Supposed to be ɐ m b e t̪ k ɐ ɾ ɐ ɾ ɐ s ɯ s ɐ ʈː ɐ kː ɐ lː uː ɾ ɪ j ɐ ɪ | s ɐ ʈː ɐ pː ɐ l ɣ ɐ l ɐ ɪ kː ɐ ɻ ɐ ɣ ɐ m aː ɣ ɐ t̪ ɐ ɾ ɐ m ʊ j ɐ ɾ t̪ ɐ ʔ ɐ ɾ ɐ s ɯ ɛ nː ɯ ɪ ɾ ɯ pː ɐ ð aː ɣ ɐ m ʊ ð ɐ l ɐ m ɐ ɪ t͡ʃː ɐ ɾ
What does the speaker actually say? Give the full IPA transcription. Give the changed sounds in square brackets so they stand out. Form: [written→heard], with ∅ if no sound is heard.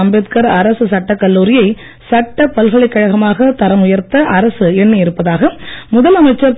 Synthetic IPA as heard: ɐ m b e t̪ k ɐ ɾ ɐ ɾ ɐ s ɯ s ɐ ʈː ɐ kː ɐ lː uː ɾ ɪ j ɐ ɪ | s ɐ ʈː ɐ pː ɐ l ɣ ɐ [l→ɭ] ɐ ɪ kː ɐ ɻ ɐ ɣ ɐ m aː ɣ ɐ t̪ ɐ ɾ ɐ m ʊ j ɐ ɾ t̪ ɐ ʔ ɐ ɾ ɐ s ɯ ɛ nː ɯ ɪ ɾ ɯ pː ɐ ð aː ɣ ɐ m ʊ ð ɐ l ɐ m ɐ ɪ t͡ʃː ɐ ɾ

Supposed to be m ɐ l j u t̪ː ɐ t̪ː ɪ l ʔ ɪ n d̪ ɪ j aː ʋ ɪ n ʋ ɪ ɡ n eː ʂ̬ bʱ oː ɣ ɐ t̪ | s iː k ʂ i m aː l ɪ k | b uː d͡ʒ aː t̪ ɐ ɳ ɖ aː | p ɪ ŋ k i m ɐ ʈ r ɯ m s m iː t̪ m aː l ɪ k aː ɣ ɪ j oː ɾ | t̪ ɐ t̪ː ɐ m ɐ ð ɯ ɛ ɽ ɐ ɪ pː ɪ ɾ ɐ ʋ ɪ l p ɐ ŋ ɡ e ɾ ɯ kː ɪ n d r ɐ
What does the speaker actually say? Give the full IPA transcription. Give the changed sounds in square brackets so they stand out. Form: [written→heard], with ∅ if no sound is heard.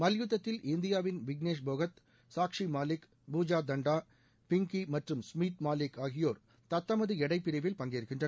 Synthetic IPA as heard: m ɐ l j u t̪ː ɐ t̪ː ɪ l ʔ ɪ n d̪ ɪ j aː ʋ ɪ n ʋ ɪ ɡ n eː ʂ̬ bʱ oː ɣ ɐ t̪ | s [iː→aː] k ʂ i m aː l ɪ k | b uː d͡ʒ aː [t̪→d̪] ɐ ɳ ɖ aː | p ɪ ŋ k i m ɐ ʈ r ɯ m s m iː t̪ m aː l ɪ k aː ɣ ɪ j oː ɾ | t̪ ɐ t̪ː ɐ m ɐ ð ɯ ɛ ɽ ɐ ɪ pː ɪ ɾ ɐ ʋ ɪ l p ɐ ŋ ɡ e ɾ ɯ kː ɪ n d r ɐ

